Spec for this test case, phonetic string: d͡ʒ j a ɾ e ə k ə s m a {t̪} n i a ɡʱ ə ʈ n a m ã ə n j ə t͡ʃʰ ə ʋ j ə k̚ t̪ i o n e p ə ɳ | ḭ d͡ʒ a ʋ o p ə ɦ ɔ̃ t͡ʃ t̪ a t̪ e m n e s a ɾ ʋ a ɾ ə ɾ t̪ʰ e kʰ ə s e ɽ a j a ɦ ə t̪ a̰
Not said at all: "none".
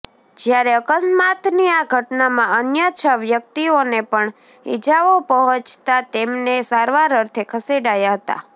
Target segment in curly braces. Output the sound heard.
t̪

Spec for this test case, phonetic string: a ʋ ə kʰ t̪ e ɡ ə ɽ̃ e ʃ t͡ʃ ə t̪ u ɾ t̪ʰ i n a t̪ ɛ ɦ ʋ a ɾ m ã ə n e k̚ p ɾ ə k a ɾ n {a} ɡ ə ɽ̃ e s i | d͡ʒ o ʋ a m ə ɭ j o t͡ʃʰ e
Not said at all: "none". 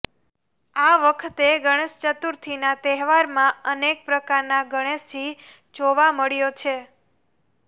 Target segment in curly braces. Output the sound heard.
a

